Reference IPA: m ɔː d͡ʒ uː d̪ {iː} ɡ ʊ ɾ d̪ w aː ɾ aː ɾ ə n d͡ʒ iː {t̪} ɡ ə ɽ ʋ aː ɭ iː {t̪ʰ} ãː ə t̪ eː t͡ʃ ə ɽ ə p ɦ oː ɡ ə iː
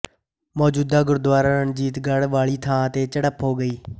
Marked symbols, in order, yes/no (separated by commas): no, yes, yes